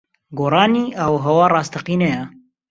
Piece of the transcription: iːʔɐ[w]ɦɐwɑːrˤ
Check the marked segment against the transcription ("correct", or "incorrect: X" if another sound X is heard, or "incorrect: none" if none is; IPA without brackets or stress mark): correct